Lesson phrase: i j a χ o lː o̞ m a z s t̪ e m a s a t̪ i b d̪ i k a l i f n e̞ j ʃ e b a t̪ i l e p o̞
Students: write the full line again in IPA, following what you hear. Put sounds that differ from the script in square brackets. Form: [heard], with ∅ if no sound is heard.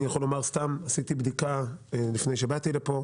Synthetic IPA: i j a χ o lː o̞ m a [ʁ] s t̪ [a] m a s [i] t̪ i b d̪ i k a l i f n e̞ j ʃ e b a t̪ i l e p o̞